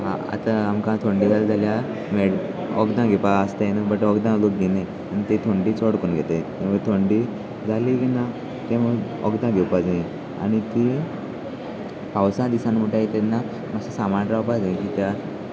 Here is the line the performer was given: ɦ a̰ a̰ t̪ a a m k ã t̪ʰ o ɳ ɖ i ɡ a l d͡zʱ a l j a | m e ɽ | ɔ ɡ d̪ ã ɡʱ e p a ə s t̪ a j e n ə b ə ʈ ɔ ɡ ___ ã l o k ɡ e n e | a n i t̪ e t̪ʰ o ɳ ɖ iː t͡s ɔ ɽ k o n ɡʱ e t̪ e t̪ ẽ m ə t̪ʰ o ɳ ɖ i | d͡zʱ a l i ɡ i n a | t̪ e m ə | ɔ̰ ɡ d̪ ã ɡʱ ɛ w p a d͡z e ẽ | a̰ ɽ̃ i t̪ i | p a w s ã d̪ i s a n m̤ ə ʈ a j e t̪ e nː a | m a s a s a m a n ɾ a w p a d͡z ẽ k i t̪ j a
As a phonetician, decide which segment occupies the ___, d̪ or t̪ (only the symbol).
d̪